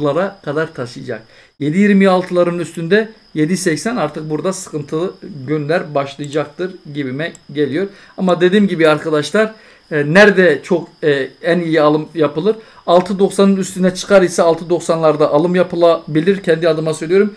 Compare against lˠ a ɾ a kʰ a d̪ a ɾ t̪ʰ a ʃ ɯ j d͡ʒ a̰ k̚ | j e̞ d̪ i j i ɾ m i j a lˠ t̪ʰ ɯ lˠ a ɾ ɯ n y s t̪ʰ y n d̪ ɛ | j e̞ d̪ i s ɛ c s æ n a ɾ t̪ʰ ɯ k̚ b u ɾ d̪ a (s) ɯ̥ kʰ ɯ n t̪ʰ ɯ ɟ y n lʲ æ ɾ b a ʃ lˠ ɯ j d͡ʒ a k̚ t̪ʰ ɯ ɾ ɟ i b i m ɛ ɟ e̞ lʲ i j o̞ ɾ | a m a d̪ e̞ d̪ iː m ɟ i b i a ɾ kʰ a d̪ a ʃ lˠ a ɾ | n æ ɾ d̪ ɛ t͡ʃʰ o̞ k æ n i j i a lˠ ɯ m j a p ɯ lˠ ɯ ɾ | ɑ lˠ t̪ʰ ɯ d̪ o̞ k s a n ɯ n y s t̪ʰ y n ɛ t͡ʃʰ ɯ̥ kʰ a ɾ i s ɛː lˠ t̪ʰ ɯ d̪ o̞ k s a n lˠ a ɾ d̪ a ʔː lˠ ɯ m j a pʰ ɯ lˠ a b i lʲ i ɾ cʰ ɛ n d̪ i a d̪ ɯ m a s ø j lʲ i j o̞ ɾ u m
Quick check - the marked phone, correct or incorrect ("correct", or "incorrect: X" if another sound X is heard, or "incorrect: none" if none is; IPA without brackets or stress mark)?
correct